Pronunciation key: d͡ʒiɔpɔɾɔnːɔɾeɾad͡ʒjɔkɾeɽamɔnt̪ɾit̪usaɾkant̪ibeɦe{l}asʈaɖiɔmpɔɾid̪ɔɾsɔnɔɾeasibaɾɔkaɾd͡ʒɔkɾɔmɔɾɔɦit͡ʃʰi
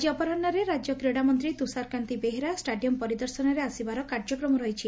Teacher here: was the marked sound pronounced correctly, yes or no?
no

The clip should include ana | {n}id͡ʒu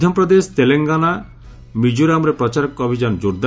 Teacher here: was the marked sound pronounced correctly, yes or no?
no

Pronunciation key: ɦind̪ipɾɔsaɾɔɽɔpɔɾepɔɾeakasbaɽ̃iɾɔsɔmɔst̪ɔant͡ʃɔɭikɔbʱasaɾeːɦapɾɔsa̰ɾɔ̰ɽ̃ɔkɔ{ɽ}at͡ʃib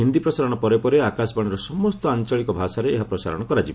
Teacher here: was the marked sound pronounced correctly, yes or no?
no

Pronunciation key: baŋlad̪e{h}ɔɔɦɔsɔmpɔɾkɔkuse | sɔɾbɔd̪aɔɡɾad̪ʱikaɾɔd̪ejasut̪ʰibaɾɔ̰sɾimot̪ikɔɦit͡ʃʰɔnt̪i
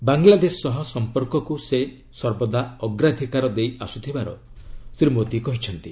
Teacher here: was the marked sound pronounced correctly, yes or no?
no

